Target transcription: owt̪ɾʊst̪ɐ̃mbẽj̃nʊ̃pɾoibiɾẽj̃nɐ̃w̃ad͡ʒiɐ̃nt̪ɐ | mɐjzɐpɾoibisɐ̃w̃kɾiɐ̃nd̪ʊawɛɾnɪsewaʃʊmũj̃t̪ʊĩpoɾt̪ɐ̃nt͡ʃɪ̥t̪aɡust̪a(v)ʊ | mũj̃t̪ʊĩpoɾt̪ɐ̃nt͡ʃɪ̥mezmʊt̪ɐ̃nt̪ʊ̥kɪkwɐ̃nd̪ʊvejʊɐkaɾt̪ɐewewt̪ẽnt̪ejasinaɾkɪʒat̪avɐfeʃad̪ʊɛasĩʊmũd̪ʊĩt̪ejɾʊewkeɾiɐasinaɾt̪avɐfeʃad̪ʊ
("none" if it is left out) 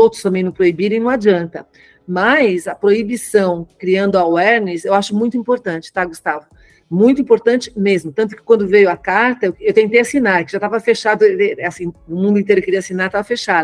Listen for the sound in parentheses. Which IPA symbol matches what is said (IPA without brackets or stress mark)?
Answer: v